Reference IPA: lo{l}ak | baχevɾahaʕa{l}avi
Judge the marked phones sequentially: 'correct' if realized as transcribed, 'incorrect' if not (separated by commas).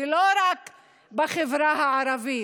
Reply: incorrect, incorrect